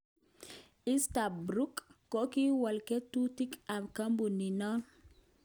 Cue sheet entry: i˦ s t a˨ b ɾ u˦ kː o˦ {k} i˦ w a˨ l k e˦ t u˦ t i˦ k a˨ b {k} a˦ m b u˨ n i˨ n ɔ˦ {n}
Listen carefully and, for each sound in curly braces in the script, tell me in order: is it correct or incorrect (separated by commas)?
correct, correct, correct